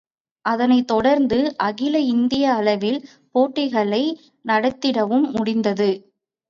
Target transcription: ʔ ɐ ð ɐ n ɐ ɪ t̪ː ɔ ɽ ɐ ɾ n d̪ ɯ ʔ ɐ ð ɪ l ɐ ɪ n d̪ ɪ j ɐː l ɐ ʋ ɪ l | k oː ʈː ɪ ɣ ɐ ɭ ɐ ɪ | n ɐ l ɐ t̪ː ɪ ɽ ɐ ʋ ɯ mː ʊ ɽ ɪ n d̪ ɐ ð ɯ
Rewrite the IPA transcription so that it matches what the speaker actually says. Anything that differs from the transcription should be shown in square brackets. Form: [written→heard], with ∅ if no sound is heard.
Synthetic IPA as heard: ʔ ɐ ð ɐ n ɐ ɪ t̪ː ɔ ɽ ɐ ɾ n d̪ ɯ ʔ ɐ [ð→ɣ] ɪ l ɐ ɪ n d̪ ɪ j ɐː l ɐ ʋ ɪ l | [k→p] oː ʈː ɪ ɣ ɐ ɭ ɐ ɪ | n ɐ [l→ɽ] ɐ t̪ː ɪ ɽ ɐ ʋ ɯ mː ʊ ɽ ɪ n d̪ ɐ ð ɯ